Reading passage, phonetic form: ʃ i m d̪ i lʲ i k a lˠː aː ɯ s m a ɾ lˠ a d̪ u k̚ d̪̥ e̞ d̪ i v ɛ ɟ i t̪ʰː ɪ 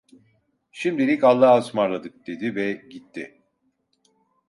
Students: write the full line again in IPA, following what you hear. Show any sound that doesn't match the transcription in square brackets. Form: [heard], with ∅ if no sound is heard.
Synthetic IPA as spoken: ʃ i m d̪ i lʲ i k a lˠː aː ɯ s m a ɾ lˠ a d̪ [ɯ] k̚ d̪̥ e̞ d̪ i v ɛ ɟ i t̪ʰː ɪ